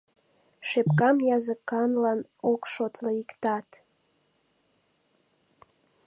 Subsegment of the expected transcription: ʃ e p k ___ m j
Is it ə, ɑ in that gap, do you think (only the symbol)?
ɑ